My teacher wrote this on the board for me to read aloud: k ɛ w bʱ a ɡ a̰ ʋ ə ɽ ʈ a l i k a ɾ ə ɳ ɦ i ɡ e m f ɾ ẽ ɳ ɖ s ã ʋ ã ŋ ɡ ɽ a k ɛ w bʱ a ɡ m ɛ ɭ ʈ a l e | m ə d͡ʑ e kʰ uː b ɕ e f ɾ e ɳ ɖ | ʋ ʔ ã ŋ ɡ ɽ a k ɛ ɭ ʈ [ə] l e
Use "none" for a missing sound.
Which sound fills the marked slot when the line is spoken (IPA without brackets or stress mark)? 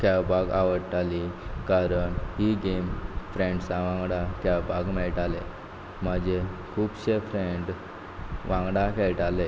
a